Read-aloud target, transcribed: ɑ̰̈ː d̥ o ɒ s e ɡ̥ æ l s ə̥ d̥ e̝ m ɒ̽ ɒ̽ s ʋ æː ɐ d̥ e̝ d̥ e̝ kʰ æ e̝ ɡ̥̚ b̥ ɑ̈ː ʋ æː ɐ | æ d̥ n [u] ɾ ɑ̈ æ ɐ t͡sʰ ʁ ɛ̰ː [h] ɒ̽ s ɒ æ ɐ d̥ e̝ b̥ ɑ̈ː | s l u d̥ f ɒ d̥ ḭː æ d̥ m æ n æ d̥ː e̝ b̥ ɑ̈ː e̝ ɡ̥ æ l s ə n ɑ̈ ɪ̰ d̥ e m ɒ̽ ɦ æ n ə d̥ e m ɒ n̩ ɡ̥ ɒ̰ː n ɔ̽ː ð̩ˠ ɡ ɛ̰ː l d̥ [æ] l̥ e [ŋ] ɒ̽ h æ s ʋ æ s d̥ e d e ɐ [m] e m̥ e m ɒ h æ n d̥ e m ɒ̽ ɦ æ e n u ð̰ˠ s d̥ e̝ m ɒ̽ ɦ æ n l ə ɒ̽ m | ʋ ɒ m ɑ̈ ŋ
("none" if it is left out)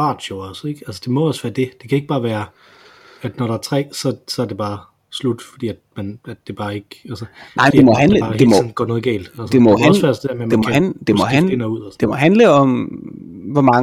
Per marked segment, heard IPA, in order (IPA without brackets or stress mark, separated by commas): ɒ, s, æ, m, m